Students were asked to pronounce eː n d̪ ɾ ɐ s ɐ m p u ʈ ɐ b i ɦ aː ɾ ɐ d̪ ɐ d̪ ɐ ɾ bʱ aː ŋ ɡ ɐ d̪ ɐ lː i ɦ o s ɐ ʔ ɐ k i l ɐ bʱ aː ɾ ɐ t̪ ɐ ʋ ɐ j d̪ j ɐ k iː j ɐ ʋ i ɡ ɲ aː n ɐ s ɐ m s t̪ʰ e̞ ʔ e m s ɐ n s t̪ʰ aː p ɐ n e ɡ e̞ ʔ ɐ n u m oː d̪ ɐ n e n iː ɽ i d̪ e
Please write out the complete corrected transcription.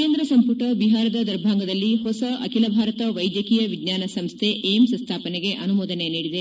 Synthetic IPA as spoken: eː n d̪ ɾ ɐ s ɐ m p u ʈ ɐ b i ɦ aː ɾ ɐ d̪ ɐ d̪ ɐ ɾ bʱ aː ŋ ɡ ɐ d̪ ɐ lː i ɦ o s ɐ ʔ ɐ k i l ɐ bʱ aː ɾ ɐ t̪ ɐ ʋ ɐ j d̪ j ɐ k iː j ɐ ʋ i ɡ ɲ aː n ɐ s ɐ m s t̪ʰ e̞ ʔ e m s ɐ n s t̪ʰ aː p ɐ n e ɡ e̞ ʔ ɐ n u m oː d̪ ɐ n e n iː ɽ i d̪ e